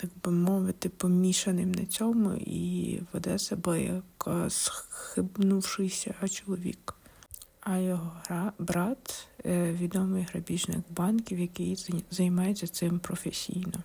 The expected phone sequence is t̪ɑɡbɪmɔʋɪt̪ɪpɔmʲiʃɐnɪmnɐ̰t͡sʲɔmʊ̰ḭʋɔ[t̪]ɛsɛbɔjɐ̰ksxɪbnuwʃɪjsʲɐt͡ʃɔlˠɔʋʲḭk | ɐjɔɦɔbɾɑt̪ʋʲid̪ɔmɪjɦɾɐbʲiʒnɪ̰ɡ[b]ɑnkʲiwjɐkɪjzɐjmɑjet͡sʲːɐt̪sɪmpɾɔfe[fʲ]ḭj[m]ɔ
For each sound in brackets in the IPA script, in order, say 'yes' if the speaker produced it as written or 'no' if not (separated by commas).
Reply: no, yes, no, no